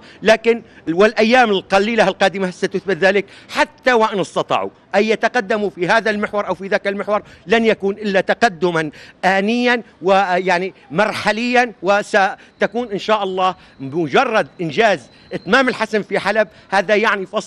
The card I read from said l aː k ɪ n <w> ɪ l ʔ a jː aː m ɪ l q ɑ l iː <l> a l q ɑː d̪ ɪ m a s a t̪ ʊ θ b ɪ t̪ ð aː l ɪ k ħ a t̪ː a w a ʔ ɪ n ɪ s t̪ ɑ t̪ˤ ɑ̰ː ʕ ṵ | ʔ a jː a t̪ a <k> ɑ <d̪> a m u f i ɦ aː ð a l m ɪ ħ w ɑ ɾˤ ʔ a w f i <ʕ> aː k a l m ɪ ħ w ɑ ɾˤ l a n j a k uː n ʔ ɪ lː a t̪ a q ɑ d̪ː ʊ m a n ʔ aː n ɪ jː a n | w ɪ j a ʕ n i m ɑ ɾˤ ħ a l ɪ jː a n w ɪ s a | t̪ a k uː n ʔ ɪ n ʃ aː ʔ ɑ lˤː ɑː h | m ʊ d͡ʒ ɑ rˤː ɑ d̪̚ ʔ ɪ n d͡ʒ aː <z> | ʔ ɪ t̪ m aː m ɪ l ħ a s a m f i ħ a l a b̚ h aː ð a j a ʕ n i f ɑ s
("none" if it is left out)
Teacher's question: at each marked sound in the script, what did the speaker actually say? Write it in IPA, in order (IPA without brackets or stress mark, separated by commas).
w, l, q, d̪ː, ð, z